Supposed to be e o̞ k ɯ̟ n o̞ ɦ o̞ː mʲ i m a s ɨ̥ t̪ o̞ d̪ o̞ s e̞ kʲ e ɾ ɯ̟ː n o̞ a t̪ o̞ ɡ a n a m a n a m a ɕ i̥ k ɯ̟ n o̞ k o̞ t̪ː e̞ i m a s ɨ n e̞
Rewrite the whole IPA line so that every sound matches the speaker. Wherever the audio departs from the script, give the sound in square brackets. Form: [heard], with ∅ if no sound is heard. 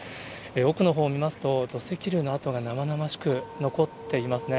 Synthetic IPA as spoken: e o̞ k ɯ̟ n o̞ ɦ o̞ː mʲ i m a s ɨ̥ t̪ o̞ d̪ o̞ s e̞ kʲ [i] ɾ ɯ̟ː n o̞ a t̪ o̞ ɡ a n a m a n a m a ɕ i̥ k ɯ̟ n o̞ k o̞ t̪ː e̞ i m a s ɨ n e̞